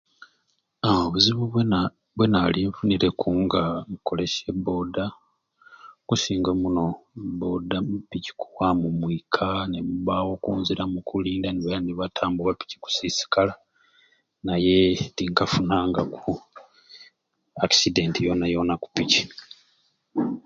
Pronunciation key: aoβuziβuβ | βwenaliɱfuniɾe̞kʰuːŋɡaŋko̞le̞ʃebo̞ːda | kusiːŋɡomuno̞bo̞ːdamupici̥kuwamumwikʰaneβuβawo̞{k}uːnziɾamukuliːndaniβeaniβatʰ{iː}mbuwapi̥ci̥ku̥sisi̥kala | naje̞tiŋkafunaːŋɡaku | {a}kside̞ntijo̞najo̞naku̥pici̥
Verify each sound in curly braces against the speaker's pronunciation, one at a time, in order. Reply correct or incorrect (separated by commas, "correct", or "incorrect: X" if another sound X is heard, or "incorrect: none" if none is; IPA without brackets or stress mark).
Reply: correct, incorrect: aː, correct